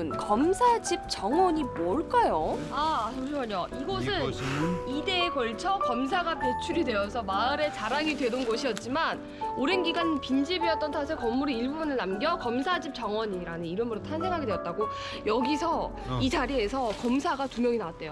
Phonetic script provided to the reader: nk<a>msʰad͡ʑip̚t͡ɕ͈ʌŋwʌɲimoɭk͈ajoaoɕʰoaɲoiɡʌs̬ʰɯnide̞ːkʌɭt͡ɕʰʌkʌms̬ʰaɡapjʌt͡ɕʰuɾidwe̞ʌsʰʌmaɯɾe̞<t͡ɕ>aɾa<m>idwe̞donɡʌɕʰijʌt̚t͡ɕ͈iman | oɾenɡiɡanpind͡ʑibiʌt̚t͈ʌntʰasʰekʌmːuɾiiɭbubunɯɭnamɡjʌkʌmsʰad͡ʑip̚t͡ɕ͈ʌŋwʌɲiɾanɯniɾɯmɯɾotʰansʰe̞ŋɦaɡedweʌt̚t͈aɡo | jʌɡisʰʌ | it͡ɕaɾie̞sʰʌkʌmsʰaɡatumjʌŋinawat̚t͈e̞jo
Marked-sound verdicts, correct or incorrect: incorrect, correct, incorrect

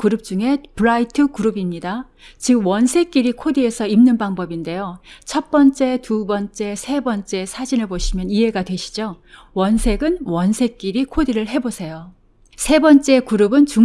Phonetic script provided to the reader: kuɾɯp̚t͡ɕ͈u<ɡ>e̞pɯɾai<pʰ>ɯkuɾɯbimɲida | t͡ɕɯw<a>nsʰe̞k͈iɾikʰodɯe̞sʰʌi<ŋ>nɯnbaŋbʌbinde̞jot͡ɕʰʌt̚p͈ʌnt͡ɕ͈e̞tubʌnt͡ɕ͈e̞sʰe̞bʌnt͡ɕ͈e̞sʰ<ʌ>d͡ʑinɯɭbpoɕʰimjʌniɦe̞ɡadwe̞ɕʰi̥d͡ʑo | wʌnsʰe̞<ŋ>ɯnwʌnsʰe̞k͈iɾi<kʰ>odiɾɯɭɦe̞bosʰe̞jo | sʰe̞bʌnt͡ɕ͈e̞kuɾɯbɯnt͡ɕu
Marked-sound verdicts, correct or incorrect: incorrect, incorrect, incorrect, incorrect, incorrect, incorrect, correct

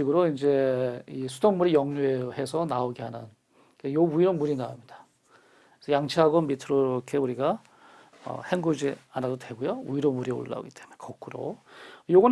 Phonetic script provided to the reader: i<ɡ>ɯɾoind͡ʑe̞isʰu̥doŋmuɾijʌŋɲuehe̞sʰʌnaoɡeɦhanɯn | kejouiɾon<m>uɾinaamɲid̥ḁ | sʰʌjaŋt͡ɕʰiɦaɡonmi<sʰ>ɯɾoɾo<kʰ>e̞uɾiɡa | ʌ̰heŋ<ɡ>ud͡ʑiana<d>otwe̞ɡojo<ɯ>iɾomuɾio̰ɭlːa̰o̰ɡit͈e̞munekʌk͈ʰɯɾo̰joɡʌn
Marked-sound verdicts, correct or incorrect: correct, correct, incorrect, correct, correct, correct, incorrect

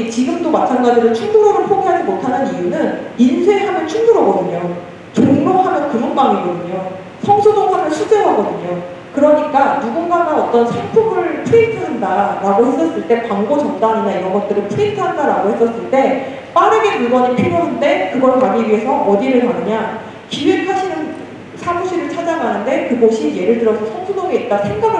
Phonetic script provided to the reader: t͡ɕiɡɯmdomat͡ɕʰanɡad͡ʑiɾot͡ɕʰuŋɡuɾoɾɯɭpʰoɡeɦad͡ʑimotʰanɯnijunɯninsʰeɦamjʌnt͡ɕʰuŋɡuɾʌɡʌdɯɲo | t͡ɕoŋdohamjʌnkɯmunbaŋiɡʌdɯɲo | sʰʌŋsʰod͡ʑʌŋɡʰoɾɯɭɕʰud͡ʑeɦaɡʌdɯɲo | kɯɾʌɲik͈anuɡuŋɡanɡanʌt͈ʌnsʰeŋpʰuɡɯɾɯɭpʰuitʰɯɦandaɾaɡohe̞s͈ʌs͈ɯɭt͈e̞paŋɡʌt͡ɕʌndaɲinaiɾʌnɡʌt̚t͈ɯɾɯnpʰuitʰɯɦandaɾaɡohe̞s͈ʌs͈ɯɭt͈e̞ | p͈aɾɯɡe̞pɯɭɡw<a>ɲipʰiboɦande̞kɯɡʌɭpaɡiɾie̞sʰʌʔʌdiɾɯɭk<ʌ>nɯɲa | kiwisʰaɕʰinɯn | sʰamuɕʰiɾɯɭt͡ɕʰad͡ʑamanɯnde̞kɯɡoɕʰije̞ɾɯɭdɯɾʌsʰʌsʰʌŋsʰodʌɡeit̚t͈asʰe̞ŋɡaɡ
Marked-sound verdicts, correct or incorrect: incorrect, incorrect

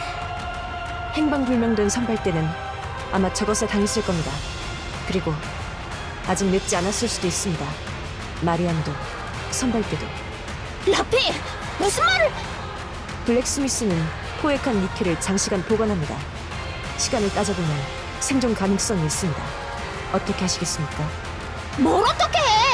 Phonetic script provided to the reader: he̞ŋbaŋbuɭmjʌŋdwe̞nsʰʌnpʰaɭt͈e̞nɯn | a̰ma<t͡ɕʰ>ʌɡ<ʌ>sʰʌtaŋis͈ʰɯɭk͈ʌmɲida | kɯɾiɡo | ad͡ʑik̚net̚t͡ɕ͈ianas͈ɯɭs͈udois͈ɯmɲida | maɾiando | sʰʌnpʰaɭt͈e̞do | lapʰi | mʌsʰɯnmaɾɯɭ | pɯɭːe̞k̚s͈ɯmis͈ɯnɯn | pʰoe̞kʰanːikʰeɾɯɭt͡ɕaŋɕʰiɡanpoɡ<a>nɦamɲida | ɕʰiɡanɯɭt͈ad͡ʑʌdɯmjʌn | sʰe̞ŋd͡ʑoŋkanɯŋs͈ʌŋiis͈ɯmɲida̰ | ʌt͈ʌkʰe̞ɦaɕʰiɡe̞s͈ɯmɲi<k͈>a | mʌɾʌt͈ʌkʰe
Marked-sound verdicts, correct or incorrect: incorrect, correct, incorrect, correct

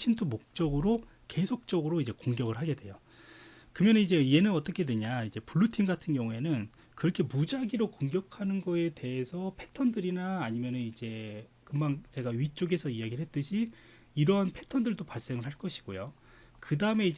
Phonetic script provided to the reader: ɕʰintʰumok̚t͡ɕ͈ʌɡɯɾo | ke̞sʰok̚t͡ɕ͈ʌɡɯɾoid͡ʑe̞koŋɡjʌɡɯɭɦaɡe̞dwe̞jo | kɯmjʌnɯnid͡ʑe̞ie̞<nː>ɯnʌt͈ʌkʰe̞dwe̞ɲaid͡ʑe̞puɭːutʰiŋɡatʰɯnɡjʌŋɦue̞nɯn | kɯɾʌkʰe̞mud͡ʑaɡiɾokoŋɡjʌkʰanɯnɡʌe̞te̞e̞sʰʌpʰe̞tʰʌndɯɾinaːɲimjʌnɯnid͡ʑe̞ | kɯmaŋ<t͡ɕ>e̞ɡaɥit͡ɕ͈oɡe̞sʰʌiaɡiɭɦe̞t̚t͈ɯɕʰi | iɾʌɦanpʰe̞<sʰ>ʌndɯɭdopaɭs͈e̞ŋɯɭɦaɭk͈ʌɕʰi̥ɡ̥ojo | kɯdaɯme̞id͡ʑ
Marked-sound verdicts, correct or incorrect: incorrect, correct, incorrect

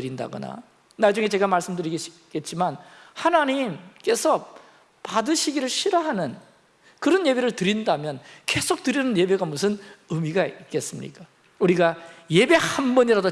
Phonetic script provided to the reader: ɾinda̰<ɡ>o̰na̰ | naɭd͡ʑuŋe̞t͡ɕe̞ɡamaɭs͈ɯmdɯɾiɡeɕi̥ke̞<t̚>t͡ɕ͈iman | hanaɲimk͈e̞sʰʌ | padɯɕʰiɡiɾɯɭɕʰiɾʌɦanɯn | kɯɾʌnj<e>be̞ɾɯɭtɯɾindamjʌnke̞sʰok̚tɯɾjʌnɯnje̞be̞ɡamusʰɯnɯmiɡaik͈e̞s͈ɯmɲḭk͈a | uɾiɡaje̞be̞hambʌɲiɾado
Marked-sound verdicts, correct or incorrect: correct, correct, correct

